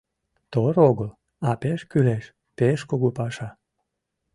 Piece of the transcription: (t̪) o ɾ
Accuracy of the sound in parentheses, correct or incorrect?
correct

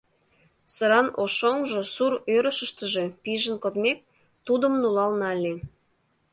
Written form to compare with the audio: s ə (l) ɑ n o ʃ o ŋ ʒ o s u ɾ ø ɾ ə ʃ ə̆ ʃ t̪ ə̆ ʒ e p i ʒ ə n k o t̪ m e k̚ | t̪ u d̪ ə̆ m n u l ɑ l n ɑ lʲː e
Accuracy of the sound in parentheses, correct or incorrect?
incorrect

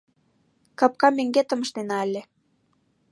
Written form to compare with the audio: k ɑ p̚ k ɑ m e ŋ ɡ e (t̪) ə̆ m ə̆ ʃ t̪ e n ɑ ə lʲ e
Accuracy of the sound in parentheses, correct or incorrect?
correct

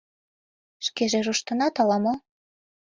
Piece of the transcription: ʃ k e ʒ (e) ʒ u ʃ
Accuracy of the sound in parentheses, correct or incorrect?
correct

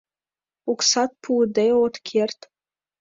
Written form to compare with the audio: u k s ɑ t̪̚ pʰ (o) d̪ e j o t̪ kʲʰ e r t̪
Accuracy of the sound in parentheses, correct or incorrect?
incorrect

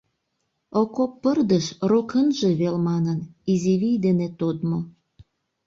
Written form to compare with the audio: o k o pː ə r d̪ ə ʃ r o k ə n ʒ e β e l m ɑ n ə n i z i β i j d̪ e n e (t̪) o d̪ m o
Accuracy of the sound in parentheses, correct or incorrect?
correct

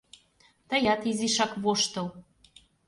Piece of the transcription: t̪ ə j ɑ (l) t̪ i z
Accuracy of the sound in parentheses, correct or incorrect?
incorrect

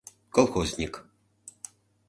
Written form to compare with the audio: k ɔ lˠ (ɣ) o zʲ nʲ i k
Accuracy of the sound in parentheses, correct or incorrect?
incorrect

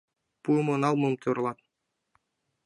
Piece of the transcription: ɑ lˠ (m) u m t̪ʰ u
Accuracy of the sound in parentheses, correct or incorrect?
correct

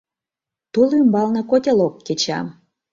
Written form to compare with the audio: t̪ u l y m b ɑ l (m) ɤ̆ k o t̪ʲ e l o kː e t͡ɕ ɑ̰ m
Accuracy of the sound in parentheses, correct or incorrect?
incorrect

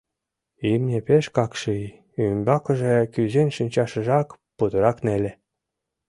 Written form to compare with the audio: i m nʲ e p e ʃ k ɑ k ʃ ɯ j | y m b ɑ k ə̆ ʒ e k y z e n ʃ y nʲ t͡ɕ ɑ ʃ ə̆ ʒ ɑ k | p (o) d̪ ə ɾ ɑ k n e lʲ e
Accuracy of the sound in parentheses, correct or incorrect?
incorrect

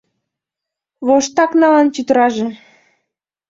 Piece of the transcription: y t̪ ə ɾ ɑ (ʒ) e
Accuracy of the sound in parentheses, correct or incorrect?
correct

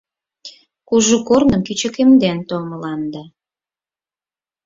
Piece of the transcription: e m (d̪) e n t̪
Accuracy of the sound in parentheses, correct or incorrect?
correct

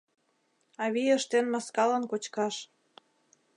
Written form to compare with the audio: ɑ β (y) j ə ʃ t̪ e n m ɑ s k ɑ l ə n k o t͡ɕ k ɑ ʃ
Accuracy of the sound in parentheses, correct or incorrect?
incorrect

